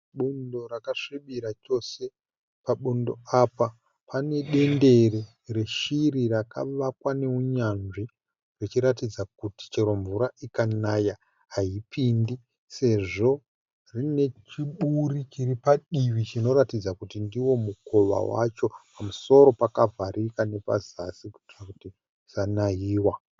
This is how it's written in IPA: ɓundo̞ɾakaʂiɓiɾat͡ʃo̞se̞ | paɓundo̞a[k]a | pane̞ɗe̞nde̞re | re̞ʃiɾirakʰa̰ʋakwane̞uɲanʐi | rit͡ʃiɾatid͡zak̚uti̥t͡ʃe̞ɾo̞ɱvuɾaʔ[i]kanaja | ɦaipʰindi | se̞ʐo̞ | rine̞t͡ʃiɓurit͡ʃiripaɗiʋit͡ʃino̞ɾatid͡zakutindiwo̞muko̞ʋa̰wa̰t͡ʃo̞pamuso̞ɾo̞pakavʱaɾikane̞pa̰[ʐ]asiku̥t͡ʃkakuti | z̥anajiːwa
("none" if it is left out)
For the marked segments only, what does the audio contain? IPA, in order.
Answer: p, i, z

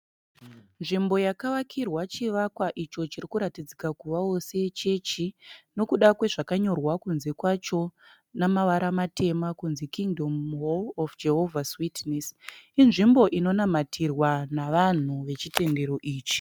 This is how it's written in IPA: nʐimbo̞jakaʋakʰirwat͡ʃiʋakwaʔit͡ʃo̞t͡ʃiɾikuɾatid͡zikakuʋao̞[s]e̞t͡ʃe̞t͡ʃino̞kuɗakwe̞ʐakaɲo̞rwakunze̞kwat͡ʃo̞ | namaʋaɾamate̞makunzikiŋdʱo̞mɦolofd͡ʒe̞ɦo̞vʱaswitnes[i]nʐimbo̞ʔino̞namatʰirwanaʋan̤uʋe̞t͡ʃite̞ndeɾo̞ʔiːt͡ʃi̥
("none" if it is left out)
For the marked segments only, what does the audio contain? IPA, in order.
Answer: s, i

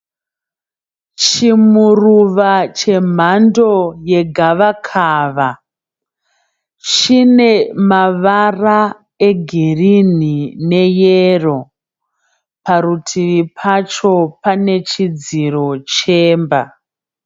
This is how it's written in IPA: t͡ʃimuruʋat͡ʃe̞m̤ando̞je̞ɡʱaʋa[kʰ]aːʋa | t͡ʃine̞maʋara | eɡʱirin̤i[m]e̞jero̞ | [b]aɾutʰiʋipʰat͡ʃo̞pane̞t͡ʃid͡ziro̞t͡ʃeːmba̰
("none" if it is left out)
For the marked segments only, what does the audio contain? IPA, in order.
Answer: kʰ, n, p

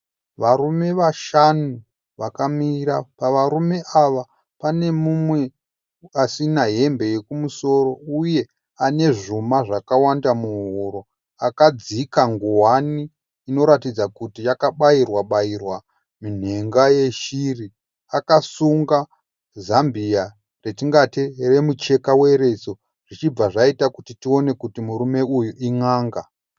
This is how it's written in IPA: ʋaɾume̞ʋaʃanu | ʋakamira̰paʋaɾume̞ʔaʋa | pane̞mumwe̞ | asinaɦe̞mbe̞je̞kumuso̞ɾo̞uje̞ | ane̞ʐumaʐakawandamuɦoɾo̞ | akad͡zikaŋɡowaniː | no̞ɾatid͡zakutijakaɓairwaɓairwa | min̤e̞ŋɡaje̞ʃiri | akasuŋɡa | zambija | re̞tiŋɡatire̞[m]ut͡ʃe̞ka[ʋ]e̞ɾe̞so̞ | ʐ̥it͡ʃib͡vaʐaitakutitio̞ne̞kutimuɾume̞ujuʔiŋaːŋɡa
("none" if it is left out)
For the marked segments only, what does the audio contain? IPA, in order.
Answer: m, w

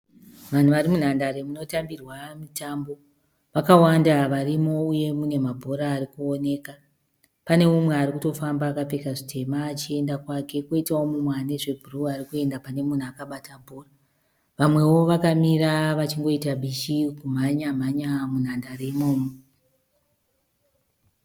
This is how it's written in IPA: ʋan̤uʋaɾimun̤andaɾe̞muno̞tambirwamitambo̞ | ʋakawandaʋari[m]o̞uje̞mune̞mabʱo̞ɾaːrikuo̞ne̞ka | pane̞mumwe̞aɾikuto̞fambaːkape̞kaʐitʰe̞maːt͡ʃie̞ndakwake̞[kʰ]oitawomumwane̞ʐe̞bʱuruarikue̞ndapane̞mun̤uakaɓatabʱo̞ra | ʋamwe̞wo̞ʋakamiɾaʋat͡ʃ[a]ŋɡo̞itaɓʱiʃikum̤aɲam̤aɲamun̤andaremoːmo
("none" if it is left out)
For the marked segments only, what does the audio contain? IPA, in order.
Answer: m, k, i

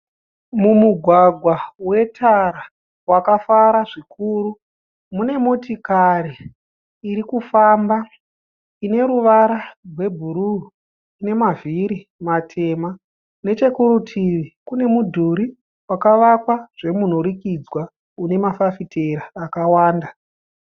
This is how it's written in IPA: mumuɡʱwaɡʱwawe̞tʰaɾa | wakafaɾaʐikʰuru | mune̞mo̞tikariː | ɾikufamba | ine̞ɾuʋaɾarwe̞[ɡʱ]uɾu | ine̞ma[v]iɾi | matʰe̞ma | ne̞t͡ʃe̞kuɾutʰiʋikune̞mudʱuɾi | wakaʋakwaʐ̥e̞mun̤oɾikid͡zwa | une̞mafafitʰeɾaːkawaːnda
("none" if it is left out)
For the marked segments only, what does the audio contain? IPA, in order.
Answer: bʱ, v

